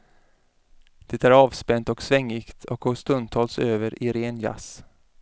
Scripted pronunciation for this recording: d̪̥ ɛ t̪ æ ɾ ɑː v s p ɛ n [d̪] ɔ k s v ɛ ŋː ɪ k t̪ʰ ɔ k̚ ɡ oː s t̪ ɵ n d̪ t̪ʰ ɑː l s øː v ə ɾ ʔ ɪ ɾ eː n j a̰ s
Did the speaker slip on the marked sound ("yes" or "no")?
yes